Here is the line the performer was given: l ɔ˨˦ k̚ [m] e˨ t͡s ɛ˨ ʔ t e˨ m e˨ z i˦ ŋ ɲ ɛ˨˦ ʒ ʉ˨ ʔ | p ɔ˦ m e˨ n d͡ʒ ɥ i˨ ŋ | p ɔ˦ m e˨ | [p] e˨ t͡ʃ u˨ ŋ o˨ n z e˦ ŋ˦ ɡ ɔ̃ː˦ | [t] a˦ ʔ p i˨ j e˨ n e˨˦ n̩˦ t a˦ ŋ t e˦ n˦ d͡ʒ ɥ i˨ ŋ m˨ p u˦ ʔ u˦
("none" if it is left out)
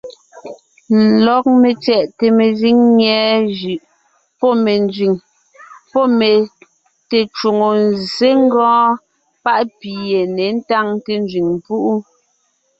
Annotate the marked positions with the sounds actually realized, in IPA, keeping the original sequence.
m, t, p

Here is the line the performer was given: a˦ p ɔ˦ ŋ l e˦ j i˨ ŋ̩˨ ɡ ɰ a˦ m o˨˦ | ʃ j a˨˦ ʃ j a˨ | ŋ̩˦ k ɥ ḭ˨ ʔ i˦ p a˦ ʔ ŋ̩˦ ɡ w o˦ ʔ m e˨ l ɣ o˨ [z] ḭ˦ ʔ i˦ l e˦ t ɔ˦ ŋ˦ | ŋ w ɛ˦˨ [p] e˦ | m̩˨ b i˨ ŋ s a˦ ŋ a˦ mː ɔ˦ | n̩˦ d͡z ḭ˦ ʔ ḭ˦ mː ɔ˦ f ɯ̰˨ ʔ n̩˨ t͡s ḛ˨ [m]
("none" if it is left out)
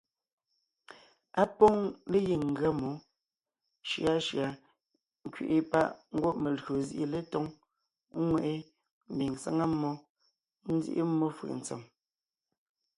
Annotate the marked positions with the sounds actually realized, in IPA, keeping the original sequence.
z, ʔ, m

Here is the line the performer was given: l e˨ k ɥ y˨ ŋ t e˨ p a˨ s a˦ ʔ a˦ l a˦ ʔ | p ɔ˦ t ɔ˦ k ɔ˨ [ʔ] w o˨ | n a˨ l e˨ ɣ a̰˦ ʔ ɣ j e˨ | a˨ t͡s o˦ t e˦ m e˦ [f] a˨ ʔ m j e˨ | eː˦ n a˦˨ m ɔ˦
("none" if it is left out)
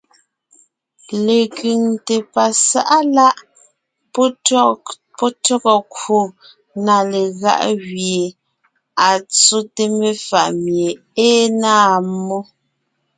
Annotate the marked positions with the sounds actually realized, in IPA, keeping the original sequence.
k, f

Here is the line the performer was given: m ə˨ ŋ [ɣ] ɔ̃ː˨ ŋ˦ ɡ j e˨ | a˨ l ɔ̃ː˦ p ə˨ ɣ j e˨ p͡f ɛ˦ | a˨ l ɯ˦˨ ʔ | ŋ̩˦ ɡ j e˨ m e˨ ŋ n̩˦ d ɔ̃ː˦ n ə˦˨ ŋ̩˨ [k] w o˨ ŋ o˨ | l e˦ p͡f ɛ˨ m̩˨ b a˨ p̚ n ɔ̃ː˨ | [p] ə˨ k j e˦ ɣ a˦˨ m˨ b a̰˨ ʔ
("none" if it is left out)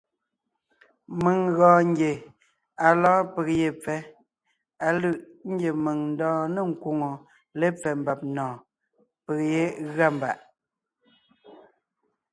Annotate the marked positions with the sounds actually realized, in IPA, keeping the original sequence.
ɣ, k, p

